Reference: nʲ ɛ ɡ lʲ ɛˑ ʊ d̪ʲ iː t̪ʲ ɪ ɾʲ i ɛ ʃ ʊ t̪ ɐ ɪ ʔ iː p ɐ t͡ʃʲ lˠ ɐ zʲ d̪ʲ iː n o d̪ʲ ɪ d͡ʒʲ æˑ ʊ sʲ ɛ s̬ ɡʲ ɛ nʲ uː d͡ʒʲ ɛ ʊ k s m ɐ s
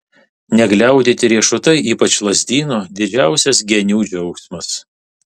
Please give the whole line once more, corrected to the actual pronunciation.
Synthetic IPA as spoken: nʲ ɛ ɡ lʲ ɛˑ ʊ d̪ʲ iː t̪ʲ ɪ ɾʲ i ɛ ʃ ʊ t̪ ɐ ɪ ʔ iː p ɐ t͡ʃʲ lˠ ɐ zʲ d̪ʲ iː n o d̪ʲ ɪ d͡ʒʲ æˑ ʊ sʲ ɛ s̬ ɡʲ ɛ nʲ uː d͡ʒʲ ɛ ʊ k s m ɐ s

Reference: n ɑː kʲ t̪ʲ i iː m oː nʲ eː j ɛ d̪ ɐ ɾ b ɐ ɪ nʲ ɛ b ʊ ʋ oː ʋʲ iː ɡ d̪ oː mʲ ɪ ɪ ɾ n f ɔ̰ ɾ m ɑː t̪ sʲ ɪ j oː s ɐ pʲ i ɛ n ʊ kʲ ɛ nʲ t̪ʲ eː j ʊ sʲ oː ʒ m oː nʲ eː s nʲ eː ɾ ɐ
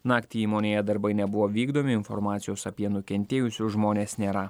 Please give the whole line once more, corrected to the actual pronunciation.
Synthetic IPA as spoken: n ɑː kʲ t̪ʲ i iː m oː nʲ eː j ɛ d̪ ɐ ɾ b ɐ ɪ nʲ ɛ b ʊ ʋ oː ʋʲ iː ɡ d̪ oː mʲ ɪ ɪ n f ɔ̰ ɾ m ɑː t̪ sʲ ɪ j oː s ɐ pʲ i ɛ n ʊ kʲ ɛ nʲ t̪ʲ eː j ʊ sʲ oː ʒ m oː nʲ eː s nʲ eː ɾ ɐ

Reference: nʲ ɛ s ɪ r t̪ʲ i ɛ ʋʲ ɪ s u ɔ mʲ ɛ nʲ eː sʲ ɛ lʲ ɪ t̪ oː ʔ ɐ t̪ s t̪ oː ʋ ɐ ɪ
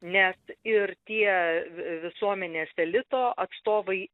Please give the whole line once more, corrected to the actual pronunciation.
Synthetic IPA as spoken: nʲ ɛ s ɪ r t̪ʲ i ɛ ʋʲ ɪ s u ɔ mʲ ɛ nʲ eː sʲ ɛ lʲ ɪ t̪ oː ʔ ɐ t̪ s t̪ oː ʋ ɐ ɪ

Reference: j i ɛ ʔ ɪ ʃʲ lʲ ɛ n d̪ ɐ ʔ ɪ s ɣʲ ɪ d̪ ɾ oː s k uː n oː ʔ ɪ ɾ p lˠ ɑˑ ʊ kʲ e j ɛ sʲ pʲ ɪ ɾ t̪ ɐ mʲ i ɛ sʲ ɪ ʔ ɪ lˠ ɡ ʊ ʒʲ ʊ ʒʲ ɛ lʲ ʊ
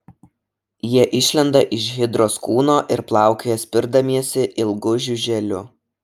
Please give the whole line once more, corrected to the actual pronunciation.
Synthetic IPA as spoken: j i ɛ ʔ ɪ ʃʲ lʲ ɛ n d̪ ɐ ʔ ɪ ʃ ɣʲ ɪ d̪ ɾ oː s k uː n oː ʔ ɪ ɾ p lˠ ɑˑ ʊ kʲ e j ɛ sʲ pʲ ɪ ɾ d̪ ɐ mʲ i ɛ sʲ ɪ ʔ ɪ lˠ ɡ ʊ ʒʲ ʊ ʒʲ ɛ lʲ ʊ

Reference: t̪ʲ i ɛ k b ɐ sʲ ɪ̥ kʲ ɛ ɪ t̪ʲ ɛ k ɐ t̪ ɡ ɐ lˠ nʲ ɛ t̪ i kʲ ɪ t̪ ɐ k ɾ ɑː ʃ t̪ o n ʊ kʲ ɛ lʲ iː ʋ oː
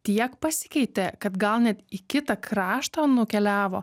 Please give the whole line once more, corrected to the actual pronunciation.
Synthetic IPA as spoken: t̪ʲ i ɛ k p ɐ sʲ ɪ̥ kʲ ɛ ɪ t̪ʲ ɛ k ɐ t̪ ɡ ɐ lˠ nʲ ɛ t̪ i kʲ ɪ t̪ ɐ k ɾ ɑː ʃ t̪ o n ʊ kʲ ɛ lʲ æː ʋ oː

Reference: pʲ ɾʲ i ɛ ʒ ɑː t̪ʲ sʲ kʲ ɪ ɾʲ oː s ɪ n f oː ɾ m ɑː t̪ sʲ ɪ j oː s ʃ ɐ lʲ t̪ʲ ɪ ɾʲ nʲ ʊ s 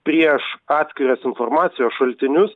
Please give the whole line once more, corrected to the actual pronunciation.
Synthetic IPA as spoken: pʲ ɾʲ i ɛ ʃ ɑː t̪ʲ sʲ kʲ ɪ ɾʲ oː s ɪ n f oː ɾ m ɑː t̪ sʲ ɪ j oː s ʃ ɐ lʲ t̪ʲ ɪ nʲ ʊ s

